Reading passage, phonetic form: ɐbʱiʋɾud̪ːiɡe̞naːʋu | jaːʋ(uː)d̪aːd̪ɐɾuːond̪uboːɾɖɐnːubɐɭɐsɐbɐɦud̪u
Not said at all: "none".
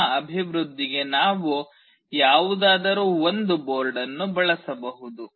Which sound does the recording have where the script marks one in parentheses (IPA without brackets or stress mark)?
u